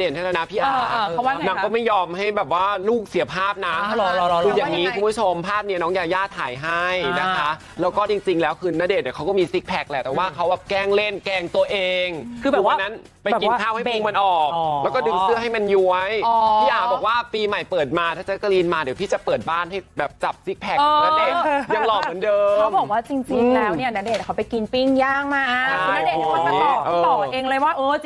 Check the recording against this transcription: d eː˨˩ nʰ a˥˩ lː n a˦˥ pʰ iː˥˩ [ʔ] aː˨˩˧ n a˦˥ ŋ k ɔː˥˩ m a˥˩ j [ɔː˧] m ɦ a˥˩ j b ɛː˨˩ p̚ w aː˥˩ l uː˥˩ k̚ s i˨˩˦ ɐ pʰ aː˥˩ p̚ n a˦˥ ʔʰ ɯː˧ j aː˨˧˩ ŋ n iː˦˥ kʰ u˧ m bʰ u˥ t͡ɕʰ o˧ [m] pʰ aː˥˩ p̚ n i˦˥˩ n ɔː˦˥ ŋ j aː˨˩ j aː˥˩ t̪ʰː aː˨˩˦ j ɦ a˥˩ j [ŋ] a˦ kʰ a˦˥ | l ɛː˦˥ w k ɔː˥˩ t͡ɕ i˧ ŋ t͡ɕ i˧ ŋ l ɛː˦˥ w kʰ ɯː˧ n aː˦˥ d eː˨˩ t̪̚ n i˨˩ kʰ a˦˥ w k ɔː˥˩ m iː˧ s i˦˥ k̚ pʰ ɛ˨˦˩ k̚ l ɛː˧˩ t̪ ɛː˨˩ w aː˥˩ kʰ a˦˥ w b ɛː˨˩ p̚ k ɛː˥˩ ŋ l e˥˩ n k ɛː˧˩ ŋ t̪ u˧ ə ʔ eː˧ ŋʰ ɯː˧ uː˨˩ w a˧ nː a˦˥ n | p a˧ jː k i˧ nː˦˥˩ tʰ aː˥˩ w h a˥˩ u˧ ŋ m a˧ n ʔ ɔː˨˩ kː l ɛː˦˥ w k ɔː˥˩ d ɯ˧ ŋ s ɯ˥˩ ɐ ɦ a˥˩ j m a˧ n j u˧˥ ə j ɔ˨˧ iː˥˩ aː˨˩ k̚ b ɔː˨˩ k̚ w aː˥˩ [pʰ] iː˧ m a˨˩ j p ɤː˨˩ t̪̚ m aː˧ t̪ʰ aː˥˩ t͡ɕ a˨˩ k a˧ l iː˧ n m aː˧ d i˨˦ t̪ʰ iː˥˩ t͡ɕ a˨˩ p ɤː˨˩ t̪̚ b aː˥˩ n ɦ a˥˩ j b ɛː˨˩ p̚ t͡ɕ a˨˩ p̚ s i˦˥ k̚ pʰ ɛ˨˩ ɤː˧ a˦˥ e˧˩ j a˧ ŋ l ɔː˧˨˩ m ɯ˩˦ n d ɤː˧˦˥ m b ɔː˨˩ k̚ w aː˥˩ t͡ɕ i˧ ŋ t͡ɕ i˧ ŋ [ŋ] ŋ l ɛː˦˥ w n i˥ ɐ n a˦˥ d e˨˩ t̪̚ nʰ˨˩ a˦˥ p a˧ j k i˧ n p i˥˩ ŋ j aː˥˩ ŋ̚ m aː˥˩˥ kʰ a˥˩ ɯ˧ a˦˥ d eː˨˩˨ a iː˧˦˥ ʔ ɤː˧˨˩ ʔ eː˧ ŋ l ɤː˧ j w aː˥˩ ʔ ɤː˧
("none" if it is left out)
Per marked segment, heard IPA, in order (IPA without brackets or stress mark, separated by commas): ʔ, ɔː˧, m, n, p, ŋ